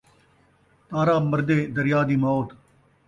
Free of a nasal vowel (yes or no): yes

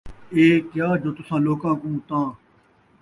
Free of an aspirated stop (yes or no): yes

